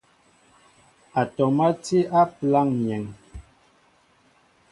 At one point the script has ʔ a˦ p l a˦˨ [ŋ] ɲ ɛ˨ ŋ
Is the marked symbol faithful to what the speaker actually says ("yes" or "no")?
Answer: yes